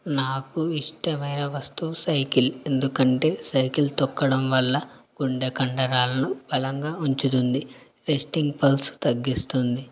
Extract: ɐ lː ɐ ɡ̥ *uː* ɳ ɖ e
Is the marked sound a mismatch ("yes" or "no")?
yes